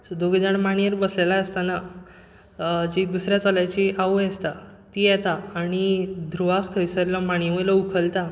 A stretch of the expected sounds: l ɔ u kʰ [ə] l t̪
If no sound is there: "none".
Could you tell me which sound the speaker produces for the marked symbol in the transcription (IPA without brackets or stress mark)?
ə